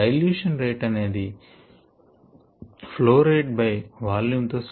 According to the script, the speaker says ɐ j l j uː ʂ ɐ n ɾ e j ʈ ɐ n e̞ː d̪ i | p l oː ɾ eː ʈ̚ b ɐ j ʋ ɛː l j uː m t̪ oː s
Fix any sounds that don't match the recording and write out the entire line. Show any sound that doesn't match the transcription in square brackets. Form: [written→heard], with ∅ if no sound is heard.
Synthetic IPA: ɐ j l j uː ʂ ɐ n ɾ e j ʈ ɐ n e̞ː d̪ i | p l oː ɾ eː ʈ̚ b ɐ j ʋ [ɛː→aː] l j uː m t̪ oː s